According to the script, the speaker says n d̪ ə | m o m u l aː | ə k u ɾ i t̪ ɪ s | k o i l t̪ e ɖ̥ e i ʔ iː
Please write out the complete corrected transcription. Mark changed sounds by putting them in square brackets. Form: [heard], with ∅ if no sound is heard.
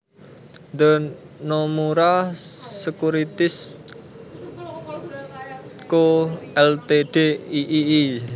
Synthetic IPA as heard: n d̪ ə | [n] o m u [ɾ] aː | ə k u ɾ i t̪ ɪ s | k o [ɛ] l t̪ e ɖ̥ e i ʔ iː